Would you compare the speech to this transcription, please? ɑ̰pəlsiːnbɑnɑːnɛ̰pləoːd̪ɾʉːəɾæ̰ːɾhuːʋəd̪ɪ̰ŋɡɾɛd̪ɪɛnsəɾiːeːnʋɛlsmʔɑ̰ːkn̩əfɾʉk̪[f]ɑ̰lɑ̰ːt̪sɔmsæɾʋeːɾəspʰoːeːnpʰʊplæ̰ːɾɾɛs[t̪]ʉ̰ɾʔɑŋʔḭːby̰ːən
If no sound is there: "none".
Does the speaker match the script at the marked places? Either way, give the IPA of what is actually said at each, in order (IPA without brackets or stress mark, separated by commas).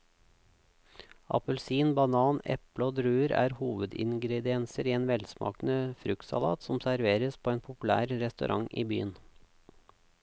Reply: s, t̪